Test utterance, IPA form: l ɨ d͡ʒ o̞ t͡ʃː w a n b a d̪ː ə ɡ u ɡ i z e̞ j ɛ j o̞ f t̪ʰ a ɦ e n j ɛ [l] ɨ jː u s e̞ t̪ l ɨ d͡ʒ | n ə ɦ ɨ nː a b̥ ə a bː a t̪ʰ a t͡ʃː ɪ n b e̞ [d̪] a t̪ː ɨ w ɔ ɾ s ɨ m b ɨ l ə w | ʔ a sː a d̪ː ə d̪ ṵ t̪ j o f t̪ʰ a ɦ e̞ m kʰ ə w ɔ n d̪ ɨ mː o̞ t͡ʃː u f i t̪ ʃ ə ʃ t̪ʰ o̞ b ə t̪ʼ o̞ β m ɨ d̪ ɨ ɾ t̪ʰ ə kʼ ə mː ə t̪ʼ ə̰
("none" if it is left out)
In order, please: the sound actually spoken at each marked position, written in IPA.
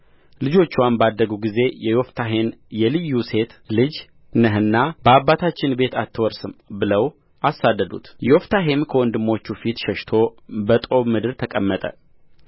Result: l, t̪

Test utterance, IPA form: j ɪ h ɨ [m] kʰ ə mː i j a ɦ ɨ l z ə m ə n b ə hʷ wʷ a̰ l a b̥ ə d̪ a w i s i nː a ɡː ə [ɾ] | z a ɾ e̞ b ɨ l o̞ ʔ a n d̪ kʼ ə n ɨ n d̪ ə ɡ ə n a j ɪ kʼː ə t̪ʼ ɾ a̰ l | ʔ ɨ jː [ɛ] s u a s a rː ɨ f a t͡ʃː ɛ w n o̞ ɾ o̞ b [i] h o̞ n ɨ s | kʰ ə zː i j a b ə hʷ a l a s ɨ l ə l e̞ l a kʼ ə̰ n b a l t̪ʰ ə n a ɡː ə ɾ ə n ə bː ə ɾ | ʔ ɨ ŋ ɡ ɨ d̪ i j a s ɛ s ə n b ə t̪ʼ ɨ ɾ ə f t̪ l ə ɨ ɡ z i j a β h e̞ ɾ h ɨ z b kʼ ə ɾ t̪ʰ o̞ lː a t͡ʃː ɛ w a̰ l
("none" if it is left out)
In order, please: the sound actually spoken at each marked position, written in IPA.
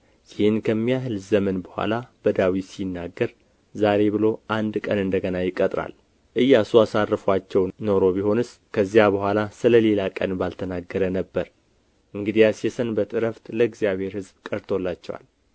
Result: n, ɾ, a, i

